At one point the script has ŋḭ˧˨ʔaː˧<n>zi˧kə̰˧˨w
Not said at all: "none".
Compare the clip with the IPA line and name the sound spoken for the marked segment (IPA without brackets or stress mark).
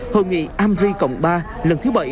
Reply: m